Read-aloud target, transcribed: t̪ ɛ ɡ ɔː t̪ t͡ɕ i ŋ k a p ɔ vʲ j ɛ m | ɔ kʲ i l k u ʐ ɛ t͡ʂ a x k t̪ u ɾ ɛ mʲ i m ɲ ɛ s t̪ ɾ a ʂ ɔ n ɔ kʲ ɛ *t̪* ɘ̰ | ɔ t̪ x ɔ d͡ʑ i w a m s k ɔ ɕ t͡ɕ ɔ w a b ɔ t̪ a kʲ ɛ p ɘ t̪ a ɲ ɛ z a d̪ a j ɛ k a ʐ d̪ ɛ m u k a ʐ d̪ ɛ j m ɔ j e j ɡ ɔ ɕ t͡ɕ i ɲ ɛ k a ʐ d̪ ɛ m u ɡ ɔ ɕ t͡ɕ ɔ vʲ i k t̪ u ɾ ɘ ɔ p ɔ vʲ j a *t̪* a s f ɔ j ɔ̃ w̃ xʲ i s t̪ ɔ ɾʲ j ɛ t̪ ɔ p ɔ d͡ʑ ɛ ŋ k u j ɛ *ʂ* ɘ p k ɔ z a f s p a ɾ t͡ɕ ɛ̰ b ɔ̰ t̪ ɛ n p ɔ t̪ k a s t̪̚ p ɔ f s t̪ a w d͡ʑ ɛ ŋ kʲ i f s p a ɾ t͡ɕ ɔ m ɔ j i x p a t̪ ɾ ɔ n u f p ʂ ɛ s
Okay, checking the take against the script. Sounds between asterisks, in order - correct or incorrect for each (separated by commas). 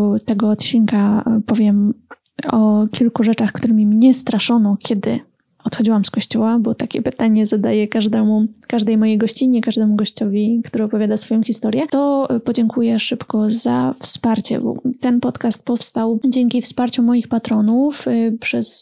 incorrect, incorrect, correct